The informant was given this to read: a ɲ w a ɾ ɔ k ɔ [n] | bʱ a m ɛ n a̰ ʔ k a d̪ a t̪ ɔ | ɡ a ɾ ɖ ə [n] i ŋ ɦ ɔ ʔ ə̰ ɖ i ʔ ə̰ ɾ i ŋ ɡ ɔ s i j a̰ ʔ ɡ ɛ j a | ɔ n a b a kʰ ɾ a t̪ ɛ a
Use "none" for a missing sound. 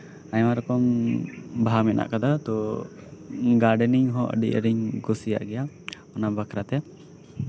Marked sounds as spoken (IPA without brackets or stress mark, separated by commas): m, n